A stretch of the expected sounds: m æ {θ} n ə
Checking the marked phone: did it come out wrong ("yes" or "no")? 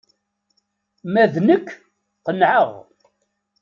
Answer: yes